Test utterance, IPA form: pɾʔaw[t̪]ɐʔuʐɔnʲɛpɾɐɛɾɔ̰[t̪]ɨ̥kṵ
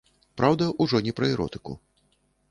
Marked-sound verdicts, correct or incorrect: incorrect: d̪, correct

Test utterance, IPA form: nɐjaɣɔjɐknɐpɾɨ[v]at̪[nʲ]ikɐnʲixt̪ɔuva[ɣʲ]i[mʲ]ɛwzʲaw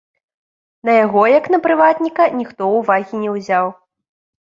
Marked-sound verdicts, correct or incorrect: correct, correct, correct, incorrect: nʲ

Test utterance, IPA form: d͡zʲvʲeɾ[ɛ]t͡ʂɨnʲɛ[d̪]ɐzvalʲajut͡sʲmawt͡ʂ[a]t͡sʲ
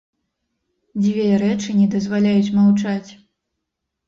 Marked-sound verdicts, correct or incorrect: correct, correct, correct

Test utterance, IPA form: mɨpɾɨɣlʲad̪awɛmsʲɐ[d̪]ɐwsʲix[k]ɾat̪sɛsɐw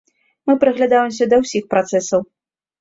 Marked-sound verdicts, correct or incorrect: correct, incorrect: p

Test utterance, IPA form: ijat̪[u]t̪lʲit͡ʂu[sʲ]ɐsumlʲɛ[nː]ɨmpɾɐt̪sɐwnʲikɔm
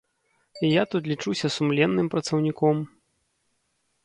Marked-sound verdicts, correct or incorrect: correct, correct, correct

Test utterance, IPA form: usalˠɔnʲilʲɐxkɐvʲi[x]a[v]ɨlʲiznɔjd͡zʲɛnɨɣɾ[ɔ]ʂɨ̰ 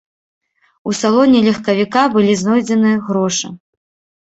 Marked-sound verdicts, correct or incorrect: incorrect: k, incorrect: b, correct

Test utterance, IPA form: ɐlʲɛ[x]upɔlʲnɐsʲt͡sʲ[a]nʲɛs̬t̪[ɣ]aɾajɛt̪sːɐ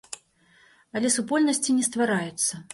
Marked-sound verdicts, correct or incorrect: incorrect: s, incorrect: i, incorrect: v

